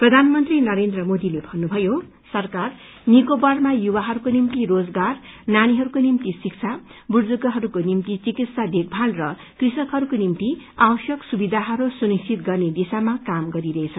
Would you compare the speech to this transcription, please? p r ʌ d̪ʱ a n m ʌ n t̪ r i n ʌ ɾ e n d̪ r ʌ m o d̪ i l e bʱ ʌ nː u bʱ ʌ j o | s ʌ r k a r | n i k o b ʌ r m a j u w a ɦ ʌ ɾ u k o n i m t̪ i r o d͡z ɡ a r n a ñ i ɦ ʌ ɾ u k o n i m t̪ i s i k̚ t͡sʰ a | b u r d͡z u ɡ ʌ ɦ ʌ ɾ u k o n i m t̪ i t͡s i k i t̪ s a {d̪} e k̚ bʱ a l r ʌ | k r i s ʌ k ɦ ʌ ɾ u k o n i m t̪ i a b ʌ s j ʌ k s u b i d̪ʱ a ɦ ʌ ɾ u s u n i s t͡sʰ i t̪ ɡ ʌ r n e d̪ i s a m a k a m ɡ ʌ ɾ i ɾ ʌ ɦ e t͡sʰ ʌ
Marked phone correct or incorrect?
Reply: correct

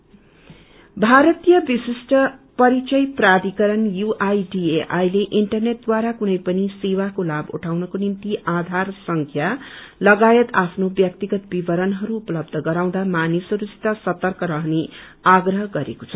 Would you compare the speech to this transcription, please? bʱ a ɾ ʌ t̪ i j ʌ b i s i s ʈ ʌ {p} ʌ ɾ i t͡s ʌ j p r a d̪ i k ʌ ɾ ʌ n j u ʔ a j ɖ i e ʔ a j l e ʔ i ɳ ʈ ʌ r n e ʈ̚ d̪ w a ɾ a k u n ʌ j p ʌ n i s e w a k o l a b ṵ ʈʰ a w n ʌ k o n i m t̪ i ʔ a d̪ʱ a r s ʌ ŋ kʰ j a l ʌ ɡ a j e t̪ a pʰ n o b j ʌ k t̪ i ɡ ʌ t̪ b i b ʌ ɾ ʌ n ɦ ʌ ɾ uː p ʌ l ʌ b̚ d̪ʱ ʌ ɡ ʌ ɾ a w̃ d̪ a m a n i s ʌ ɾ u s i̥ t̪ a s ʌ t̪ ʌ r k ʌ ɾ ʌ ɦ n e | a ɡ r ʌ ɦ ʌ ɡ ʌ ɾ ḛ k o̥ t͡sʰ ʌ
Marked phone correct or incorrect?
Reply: correct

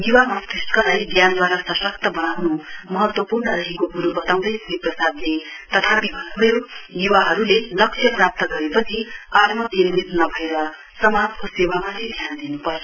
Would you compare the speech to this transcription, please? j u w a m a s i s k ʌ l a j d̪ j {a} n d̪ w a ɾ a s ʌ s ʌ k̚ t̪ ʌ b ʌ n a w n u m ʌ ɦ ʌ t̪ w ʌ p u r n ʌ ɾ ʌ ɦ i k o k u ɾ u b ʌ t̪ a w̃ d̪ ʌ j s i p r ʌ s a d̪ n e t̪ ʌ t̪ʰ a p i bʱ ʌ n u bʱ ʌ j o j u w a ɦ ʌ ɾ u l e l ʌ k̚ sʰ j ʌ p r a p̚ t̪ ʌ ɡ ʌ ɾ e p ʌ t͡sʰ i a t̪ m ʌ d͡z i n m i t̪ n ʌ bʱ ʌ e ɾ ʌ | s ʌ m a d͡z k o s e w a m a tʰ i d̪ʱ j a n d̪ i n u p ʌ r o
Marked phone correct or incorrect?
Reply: correct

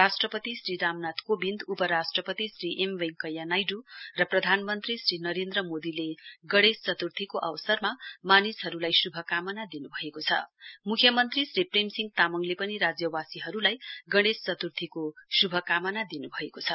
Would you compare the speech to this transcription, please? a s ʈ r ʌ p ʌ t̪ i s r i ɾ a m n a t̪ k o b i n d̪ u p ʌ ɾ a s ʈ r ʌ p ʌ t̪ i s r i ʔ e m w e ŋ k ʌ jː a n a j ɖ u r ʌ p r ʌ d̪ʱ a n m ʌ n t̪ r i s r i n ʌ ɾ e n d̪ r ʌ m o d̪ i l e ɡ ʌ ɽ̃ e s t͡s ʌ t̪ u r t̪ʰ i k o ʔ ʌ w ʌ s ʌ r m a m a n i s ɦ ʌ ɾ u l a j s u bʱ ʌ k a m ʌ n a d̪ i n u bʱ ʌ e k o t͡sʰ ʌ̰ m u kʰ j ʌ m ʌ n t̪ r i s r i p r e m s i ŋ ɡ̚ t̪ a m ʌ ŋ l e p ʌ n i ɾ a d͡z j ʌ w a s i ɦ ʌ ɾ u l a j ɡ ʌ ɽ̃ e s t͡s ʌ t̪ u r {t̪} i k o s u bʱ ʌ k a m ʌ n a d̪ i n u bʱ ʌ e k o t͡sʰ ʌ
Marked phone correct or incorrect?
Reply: incorrect: t̪ʰ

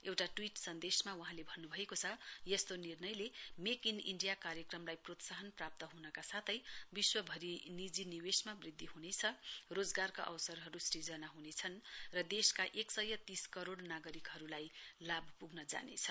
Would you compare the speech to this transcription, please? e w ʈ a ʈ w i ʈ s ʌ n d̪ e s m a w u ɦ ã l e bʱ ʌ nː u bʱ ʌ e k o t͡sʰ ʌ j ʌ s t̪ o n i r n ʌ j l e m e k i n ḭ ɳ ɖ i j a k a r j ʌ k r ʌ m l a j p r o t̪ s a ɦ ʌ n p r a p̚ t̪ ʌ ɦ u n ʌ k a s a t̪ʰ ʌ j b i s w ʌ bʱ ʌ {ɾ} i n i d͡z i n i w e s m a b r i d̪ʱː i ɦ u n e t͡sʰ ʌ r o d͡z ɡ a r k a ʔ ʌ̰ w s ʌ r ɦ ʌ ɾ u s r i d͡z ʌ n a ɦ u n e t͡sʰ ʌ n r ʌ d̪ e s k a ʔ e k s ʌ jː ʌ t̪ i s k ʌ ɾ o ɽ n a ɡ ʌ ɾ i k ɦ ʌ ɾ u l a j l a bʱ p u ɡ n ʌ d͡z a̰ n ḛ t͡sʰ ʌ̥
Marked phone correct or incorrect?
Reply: correct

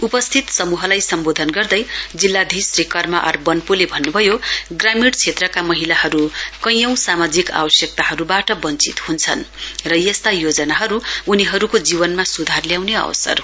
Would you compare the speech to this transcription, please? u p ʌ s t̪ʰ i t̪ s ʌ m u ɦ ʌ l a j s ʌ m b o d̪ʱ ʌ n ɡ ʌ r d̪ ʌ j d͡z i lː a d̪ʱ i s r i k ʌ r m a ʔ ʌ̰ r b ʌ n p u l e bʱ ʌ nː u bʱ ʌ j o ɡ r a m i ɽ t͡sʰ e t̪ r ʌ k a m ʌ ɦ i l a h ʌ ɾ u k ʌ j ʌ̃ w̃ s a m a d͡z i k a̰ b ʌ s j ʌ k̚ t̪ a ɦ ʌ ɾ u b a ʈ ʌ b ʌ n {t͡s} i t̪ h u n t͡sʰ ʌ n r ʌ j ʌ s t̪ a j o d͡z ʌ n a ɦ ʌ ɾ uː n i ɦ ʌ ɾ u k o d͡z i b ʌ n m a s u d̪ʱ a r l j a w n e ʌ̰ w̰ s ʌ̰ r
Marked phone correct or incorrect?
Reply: correct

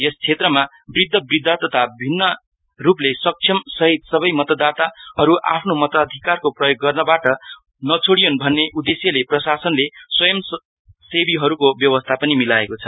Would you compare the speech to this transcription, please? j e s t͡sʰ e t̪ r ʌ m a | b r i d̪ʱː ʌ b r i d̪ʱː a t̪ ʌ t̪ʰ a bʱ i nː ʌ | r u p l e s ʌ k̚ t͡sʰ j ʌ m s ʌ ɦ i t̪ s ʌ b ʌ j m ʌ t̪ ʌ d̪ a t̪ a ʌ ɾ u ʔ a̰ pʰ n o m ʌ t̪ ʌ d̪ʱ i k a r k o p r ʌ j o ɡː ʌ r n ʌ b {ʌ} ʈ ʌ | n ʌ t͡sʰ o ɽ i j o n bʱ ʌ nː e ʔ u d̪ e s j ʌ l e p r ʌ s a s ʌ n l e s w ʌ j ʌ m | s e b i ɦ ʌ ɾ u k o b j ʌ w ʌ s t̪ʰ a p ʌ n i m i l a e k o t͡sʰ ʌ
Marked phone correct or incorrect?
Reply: incorrect: a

